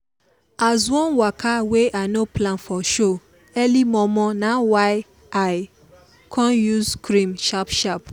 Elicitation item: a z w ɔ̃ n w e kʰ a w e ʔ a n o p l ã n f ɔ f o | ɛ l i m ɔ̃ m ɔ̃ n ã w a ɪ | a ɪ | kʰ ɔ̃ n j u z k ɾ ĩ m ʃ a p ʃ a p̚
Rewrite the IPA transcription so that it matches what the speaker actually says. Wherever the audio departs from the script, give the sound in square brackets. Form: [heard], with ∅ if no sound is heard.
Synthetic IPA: a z w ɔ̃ n w [a] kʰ a w e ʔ a n o p l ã n f ɔ [ʃ] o | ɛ l i m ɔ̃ m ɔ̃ n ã w a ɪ | a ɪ | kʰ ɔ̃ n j u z k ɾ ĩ m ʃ a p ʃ a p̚